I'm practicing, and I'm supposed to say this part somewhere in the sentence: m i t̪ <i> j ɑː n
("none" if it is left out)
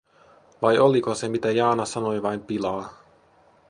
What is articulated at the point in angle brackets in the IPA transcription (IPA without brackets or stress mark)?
æ